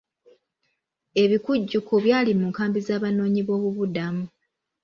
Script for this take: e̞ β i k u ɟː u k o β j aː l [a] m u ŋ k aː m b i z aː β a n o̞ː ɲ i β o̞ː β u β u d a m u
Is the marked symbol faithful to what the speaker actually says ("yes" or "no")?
no